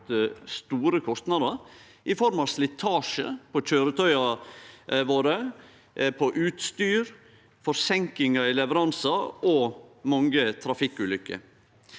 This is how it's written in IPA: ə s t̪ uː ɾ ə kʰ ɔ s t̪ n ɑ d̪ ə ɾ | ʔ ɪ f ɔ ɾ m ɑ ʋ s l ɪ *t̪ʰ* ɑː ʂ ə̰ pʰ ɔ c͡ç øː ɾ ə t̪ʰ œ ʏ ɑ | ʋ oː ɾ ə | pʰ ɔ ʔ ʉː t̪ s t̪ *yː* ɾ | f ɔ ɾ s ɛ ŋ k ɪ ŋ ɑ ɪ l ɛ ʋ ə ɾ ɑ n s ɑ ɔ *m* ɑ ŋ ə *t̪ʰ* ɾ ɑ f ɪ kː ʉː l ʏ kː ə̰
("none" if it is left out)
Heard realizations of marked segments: t̪ʰ, yː, m, t̪ʰ

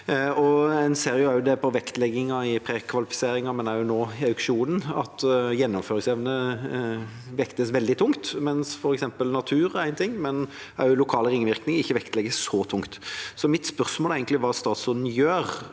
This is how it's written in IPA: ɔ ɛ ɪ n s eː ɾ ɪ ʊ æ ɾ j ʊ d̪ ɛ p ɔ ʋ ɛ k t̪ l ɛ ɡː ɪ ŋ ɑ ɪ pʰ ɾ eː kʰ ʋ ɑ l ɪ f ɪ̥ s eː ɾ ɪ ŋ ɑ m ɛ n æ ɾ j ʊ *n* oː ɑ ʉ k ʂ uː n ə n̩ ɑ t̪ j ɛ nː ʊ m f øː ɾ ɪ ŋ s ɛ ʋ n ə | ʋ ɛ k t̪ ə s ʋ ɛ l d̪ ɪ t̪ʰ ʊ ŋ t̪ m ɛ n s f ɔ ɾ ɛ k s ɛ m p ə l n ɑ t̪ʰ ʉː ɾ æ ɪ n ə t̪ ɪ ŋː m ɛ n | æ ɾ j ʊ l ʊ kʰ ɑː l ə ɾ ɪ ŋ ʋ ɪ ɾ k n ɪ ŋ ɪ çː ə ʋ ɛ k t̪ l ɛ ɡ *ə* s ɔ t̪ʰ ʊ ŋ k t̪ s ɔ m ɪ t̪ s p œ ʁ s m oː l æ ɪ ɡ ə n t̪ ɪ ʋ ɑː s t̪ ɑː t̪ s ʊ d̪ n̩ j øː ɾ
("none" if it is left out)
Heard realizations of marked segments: n, ə

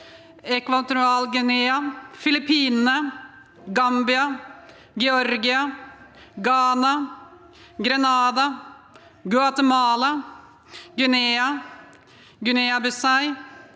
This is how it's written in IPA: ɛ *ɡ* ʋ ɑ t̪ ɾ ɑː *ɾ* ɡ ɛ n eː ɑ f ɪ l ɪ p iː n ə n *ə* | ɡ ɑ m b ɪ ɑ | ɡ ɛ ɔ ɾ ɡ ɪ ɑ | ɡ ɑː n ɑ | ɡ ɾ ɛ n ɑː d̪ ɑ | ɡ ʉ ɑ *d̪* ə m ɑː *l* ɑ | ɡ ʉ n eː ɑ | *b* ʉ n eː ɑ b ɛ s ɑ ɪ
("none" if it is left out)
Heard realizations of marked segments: k, l, ə, t̪, l, ɡ

